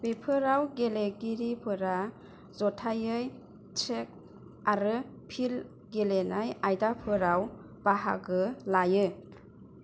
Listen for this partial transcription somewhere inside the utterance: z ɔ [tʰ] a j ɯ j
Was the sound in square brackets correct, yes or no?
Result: yes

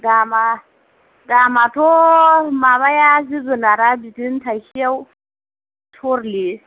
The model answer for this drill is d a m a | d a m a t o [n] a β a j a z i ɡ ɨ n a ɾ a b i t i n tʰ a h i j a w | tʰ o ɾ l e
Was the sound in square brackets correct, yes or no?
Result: no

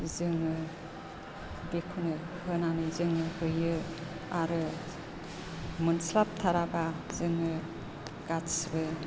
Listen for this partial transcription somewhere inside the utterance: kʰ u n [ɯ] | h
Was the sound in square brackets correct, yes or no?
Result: yes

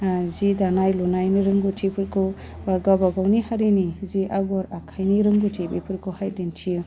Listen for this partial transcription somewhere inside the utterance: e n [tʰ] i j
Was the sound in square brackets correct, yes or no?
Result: yes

